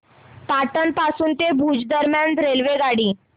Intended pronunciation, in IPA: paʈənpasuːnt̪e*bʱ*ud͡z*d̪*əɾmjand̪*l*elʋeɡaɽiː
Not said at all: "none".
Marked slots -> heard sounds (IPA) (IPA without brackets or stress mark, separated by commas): bʱ, d̪, ɾ